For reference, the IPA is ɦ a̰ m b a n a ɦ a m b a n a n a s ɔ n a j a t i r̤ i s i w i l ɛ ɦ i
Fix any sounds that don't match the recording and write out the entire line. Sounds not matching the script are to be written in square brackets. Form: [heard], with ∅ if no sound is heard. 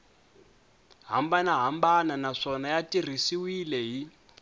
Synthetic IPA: ɦ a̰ m b a n a ɦ a m b a n a n a [ʂ] ɔ n a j a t i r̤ i s i w i l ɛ ɦ i